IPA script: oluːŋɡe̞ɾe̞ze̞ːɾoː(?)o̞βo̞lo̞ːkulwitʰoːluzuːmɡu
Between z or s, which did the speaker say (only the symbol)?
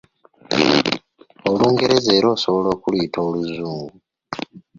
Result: s